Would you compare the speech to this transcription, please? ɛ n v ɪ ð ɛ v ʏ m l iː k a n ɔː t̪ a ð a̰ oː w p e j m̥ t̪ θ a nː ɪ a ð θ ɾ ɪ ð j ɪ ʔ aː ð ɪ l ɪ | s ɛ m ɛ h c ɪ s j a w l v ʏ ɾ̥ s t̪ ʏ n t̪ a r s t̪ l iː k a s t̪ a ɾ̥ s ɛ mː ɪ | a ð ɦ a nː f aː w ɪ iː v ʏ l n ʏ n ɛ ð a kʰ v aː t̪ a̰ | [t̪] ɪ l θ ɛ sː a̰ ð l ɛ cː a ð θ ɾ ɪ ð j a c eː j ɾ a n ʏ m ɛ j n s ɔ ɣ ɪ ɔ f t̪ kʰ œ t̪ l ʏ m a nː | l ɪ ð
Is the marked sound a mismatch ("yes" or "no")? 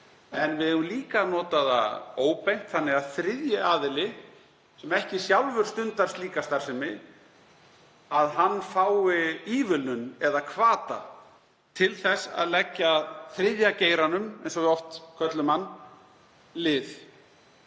yes